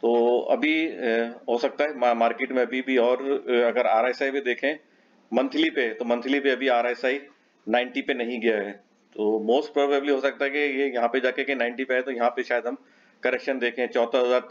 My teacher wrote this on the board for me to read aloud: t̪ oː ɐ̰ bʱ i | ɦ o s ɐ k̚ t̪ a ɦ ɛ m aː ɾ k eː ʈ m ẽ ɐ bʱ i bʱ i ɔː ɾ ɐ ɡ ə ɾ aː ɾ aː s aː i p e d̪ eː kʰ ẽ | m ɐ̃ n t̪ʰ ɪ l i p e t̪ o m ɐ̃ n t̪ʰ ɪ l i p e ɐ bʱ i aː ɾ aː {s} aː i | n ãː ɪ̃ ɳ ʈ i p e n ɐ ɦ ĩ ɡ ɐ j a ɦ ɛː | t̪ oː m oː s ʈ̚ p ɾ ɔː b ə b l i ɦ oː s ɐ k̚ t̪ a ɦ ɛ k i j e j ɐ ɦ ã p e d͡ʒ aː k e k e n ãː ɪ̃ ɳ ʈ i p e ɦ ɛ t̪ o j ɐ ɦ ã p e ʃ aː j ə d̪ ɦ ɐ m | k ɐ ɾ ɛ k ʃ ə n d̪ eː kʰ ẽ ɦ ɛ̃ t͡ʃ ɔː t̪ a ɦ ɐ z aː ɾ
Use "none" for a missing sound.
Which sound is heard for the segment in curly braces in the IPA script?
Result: s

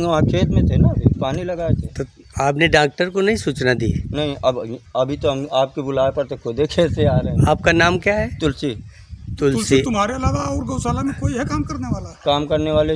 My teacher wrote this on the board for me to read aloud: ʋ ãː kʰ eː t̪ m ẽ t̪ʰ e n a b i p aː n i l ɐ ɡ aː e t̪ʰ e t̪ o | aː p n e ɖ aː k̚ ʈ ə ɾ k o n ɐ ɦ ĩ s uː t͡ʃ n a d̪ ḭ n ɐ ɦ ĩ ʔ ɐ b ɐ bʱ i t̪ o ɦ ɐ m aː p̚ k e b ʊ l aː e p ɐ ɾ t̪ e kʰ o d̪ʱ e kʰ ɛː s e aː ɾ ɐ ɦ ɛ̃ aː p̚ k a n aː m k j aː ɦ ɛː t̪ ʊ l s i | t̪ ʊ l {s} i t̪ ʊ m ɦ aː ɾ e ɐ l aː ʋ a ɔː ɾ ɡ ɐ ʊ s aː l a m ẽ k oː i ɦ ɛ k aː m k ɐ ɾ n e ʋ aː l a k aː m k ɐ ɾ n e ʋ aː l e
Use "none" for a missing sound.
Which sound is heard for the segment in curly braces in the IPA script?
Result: s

